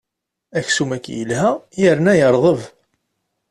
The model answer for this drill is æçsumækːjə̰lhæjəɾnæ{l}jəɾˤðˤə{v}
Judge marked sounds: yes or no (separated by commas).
no, yes